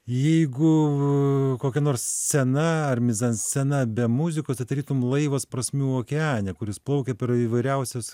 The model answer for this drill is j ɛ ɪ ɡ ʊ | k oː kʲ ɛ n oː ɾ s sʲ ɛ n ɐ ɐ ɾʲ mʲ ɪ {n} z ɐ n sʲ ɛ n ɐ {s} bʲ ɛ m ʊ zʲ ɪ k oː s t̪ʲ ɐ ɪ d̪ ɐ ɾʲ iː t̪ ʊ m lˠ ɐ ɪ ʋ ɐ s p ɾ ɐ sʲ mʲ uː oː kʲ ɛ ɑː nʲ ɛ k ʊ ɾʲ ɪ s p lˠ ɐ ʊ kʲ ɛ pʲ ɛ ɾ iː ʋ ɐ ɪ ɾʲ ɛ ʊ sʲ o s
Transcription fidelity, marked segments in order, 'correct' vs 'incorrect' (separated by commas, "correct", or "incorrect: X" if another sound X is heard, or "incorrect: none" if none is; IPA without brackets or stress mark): incorrect: none, incorrect: none